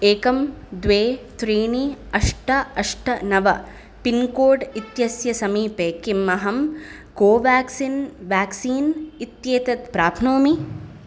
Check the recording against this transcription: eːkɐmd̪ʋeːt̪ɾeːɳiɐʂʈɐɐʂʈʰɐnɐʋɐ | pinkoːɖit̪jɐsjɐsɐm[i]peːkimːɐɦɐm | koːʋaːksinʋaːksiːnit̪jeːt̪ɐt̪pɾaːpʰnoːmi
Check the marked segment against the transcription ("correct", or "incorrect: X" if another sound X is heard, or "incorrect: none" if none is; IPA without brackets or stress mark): incorrect: iː